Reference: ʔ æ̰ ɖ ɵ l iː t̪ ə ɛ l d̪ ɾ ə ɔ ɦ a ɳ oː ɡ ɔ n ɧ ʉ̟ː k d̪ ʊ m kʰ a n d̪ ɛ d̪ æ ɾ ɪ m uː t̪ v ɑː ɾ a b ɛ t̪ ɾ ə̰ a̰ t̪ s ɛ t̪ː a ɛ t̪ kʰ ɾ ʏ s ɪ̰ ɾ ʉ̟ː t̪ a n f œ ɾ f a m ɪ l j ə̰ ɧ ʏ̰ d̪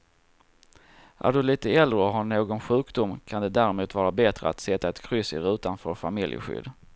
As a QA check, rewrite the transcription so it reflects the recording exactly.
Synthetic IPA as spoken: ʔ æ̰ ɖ ɵ l iː t̪ ə ɛ l d̪ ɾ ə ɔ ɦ a ɳ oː ɡ ɔ n ɧ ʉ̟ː k d̪ ʊ m kʰ a n d̪ ɛ d̪ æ ɾ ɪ m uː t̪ v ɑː ɾ a b ɛ t̪ ɾ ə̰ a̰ t̪ s ɛ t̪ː a ɛ t̪ kʰ ɾ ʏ s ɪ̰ ɾ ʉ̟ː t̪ a n f œ ɾ f a m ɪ l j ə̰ ɧ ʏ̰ d̪